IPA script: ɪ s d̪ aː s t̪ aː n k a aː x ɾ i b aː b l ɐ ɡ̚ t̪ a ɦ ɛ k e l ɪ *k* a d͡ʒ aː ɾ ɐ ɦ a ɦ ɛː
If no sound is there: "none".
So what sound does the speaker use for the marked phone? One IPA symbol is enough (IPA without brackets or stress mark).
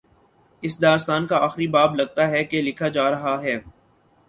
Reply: kʰ